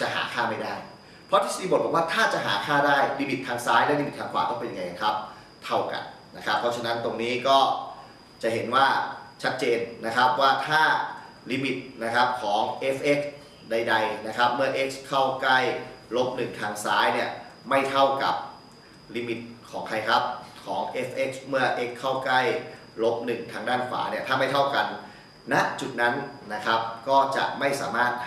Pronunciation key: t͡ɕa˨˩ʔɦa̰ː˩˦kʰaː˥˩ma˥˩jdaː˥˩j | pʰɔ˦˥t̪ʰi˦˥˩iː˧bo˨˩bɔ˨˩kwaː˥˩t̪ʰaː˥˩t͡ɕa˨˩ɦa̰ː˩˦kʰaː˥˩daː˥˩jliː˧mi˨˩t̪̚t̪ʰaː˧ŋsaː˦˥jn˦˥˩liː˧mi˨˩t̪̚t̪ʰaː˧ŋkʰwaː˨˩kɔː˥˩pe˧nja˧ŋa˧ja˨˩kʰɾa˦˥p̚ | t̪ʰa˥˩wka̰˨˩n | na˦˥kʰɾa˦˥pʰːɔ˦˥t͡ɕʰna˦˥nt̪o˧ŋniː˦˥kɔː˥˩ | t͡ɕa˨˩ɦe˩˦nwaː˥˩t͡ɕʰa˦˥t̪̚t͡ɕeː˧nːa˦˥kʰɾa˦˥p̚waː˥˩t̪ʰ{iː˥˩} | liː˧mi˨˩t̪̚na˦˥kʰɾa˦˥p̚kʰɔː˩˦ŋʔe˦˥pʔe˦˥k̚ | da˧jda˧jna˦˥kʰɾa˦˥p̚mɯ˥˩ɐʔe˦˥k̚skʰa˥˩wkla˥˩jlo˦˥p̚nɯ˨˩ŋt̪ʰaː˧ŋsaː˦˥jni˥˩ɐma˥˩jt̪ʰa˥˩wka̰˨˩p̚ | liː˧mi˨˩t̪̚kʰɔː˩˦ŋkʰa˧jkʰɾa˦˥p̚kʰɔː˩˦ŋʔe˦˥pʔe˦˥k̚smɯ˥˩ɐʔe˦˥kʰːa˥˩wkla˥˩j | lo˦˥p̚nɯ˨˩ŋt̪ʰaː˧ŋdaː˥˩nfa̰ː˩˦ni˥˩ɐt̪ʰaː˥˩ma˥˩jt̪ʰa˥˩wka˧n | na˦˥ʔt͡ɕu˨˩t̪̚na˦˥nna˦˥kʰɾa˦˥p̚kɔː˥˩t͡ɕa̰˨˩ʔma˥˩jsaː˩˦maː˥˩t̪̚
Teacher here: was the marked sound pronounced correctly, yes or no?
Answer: no